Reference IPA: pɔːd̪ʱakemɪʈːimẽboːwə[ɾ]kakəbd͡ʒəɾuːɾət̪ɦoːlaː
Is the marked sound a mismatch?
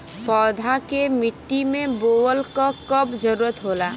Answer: yes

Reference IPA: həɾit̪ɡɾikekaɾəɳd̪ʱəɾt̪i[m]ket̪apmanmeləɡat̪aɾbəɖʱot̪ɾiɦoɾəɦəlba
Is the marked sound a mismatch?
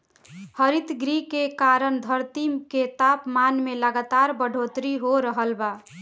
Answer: no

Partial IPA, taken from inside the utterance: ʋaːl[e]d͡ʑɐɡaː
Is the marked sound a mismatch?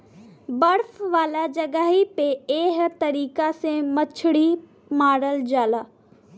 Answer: yes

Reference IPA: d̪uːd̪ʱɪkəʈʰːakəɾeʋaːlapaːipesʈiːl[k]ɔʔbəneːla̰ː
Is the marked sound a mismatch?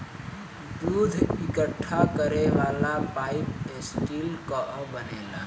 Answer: no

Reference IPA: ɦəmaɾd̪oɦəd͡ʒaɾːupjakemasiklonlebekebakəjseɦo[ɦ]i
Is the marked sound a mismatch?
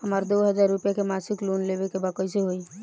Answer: yes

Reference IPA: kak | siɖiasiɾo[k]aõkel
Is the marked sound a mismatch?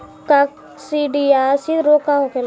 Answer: no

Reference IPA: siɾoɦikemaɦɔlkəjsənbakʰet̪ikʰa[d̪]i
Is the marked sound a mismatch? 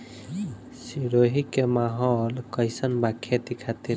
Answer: yes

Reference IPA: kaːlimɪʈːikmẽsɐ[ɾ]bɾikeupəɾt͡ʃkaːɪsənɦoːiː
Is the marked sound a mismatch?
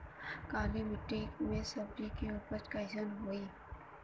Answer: yes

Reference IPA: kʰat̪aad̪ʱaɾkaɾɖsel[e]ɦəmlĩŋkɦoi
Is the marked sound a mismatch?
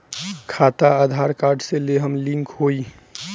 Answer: no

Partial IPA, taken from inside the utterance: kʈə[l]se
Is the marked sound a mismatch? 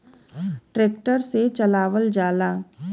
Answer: yes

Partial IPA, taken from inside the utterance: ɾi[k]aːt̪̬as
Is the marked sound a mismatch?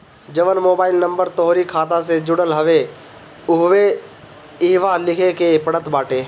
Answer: yes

